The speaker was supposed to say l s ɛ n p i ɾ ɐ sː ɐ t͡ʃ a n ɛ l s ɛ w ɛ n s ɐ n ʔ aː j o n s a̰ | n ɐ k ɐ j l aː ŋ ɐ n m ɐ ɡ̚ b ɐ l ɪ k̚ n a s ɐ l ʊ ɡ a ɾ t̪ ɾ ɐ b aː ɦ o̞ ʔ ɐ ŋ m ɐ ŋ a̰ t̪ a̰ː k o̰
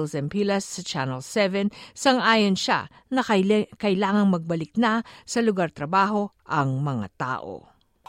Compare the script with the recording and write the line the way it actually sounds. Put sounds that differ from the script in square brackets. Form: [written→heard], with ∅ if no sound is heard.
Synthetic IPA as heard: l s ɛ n p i [ɾ→l] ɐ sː ɐ t͡ʃ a n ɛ l s ɛ [w→v] ɛ n s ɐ [n→ŋ] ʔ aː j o n [s→ʃ] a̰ | n ɐ k ɐ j l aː ŋ ɐ [n→ŋ] m ɐ ɡ̚ b ɐ l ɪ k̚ n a s ɐ l ʊ ɡ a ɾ t̪ ɾ ɐ b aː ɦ o̞ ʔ ɐ ŋ m ɐ ŋ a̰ t̪ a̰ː [k→ʔ] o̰